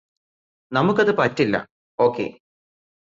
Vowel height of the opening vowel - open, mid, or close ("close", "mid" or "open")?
open